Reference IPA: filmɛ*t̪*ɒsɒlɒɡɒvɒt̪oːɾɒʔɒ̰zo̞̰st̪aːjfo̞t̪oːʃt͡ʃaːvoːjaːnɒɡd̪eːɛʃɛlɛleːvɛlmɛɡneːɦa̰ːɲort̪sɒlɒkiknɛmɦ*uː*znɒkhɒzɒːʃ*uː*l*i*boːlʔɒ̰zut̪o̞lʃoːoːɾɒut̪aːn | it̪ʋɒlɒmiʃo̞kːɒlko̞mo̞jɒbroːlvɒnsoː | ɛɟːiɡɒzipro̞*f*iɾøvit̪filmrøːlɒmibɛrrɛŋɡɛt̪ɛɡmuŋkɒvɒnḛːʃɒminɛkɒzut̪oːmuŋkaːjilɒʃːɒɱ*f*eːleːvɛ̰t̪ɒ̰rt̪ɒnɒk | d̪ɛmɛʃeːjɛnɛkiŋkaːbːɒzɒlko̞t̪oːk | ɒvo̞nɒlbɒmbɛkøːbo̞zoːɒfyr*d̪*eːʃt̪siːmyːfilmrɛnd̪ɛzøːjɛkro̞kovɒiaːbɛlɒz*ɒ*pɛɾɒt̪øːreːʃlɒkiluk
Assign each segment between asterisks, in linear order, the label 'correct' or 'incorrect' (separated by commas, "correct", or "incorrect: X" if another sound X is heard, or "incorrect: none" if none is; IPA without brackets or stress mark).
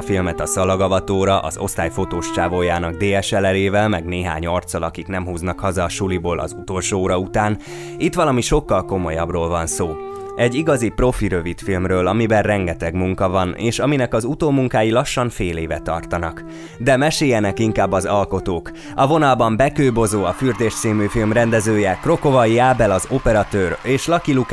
correct, correct, incorrect: u, correct, correct, correct, correct, incorrect: o